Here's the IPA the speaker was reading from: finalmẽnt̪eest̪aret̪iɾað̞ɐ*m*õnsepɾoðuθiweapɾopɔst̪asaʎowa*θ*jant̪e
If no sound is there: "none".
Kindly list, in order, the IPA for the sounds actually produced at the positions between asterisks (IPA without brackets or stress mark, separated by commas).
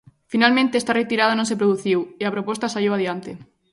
n, ð